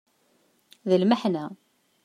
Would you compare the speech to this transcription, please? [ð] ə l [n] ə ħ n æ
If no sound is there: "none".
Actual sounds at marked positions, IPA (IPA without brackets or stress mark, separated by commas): ð, m